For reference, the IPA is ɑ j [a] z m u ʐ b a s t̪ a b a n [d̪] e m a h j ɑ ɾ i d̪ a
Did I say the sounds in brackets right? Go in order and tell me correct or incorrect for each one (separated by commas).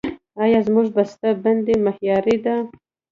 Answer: incorrect, correct